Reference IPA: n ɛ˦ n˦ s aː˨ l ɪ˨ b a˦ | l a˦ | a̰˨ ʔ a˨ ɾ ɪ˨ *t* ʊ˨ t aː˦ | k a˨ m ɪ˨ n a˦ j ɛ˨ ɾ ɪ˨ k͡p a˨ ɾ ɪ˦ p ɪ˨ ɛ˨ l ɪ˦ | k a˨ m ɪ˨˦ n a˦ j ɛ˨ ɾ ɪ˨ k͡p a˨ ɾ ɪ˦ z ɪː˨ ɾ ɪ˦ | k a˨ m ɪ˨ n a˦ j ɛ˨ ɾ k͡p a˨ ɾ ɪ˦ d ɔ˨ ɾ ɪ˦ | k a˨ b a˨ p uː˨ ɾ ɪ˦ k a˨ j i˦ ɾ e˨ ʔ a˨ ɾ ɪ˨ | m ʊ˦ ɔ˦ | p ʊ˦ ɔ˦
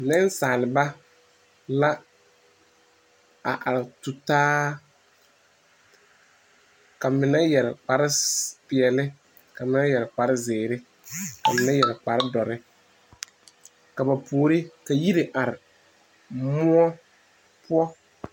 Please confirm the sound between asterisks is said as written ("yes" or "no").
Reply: yes